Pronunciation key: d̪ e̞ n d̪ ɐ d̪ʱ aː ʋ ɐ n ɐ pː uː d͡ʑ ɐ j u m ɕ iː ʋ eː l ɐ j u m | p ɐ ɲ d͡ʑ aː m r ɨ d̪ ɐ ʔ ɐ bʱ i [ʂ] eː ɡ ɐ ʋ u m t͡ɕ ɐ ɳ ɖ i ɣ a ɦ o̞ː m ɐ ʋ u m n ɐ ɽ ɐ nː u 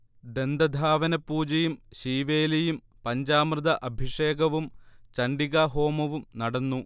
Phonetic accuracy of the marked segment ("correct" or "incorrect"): correct